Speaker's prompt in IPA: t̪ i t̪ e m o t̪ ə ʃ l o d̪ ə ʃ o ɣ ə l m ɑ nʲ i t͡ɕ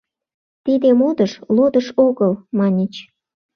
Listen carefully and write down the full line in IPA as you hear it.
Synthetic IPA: t̪ i d̪ e m o d̪ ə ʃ l o d̪ ə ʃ o ɣ ə l m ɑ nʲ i t͡ɕ

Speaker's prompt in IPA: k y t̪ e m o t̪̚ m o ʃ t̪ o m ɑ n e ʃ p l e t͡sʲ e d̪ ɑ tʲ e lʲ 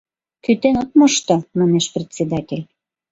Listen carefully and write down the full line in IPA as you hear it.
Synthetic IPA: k y t̪ e n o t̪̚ m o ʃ t̪ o m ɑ n e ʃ p r e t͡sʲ e d̪ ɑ tʲ e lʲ

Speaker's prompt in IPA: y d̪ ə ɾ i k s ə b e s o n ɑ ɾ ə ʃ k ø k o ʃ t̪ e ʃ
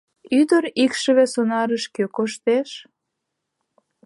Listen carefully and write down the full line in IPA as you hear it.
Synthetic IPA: y d̪ ə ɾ i k ʃ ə β e s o n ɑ ɾ ə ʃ k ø k o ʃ t̪ e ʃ

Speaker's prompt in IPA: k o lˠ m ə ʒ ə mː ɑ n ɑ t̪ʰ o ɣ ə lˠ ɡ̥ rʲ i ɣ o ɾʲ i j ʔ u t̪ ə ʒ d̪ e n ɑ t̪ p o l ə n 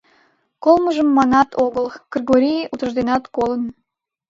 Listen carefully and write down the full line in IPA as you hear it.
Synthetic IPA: k o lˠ m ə ʒ ə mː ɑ n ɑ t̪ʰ o ɣ ə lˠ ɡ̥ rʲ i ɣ o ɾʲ i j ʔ u t̪ ə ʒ d̪ e n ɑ t̪ k o l ə n

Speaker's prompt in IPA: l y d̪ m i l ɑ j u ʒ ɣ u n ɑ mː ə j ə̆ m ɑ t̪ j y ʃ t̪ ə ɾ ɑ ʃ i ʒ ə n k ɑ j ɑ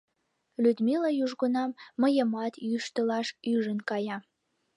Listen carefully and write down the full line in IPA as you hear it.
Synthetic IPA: l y d̪ m i l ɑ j u ʒ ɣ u n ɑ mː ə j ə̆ m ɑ t̪ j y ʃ t̪ ə l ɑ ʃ y ʒ ə n k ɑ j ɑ

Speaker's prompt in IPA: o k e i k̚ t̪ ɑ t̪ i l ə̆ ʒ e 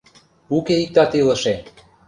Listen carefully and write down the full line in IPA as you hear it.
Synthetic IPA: u k e i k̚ t̪ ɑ t̪ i l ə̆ ʃ e

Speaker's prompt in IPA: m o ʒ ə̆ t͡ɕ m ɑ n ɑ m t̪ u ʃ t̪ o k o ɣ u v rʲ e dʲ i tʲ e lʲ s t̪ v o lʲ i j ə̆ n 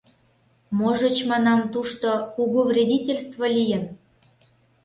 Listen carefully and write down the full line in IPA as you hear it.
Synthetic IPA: m o ʒ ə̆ t͡ɕ m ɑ n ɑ m t̪ u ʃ t̪ o k u ɣ u v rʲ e dʲ i tʲ e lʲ s t̪ v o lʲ i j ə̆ n

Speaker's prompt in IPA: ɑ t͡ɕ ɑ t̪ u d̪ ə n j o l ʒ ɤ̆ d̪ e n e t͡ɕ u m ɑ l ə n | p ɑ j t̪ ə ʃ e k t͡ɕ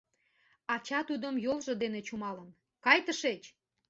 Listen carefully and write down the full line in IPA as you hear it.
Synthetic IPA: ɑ t͡ɕ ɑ t̪ u d̪ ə m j o l ʒ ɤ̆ d̪ e n e t͡ɕ u m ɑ l ə n | k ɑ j t̪ ə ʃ e t͡ɕ

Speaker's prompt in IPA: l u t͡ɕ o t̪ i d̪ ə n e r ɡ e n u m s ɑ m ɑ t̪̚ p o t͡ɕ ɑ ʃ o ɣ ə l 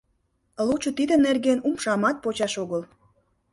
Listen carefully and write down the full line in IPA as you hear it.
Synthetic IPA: l u t͡ɕ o t̪ i d̪ ə n e r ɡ e n u m ʃ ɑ m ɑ t̪̚ p o t͡ɕ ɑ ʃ o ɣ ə l

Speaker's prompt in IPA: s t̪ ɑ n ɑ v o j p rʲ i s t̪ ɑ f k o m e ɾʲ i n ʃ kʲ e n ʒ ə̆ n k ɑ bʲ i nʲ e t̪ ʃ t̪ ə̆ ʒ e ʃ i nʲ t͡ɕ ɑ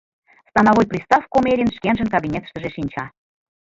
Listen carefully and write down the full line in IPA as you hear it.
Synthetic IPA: s t̪ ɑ n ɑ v o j p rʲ i s t̪ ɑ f k o m e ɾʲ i n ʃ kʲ e n ʒ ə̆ n k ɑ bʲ i nʲ e t̪ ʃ t̪ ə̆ ʒ e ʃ i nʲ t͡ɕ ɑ

